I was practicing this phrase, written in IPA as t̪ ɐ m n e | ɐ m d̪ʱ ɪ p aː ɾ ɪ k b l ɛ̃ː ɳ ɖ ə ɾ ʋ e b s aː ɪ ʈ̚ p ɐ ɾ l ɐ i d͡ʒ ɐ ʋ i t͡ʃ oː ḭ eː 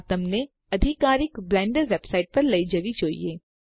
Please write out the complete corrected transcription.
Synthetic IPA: t̪ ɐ m n e | ɐ d̪ʱ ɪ k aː ɾ ɪ k b l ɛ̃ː ɳ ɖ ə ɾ ʋ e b s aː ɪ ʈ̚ p ɐ ɾ l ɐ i d͡ʒ ɐ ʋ i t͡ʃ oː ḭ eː

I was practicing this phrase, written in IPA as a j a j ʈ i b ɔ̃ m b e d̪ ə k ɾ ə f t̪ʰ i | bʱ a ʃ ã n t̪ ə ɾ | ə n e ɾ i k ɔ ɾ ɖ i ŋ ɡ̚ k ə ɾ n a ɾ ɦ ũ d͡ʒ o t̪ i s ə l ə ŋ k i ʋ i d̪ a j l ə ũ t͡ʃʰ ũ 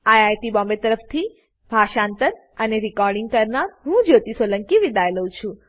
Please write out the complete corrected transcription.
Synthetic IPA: a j a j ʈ i b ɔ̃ m b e t̪ ə ɾ ə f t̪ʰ i | bʱ a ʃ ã n t̪ ə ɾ | ə n e ɾ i k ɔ ɾ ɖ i ŋ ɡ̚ k ə ɾ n a ɾ ɦ ũ d͡ʒ o t̪ i s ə l ə ŋ k i ʋ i d̪ a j l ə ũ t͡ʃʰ ũ

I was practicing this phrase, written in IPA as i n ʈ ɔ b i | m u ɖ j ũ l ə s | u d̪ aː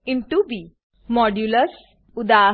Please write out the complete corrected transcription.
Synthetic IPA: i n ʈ u b i | m ɔ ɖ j u l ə s | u d̪ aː

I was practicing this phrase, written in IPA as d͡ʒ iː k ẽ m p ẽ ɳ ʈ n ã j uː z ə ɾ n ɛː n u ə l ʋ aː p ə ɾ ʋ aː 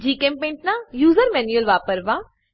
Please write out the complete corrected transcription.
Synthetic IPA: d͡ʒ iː k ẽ m p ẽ ɳ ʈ n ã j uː z ə ɾ m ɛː n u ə l ʋ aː p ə ɾ ʋ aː

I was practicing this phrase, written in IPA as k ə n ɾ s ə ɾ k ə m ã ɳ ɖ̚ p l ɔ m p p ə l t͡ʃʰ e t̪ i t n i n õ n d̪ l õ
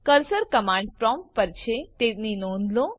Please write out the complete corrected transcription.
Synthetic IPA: k ə ɾ s ə ɾ k ə m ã ɳ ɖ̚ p ɾ ɔ m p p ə ɾ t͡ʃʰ e t̪ e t n i n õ n d̪ l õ

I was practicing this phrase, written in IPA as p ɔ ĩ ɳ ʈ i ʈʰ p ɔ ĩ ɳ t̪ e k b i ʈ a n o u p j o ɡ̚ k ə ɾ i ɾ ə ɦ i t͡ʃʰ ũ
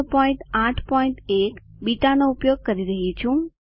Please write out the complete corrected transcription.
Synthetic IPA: p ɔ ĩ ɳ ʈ a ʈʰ p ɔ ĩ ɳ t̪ e k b i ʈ a n o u p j o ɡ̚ k ə ɾ i ɾ ə ɦ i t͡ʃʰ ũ

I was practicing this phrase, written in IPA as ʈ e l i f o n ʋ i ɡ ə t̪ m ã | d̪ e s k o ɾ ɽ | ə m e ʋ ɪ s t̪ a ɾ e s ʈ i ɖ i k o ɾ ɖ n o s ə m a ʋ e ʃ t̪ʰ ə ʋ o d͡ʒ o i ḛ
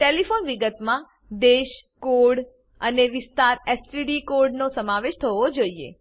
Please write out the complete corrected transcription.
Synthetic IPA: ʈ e l i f o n ʋ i ɡ ə t̪ m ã | d̪ e ʃ k o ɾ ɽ | ə n e ʋ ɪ s t̪ a ɾ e s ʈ i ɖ i k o ɾ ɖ n o s ə m a ʋ e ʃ t̪ʰ ə ʋ o d͡ʒ o i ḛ

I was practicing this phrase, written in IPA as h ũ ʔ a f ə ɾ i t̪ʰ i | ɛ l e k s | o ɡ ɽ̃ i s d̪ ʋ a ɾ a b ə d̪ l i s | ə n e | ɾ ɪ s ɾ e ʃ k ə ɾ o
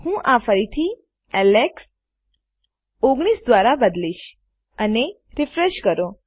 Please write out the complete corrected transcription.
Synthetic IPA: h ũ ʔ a f ə ɾ i t̪ʰ i | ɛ l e k s | o ɡ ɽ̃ i s d̪ ʋ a ɾ a b ə d̪ l i ʃ | ə n e | ɾ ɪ f ɾ e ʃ k ə ɾ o

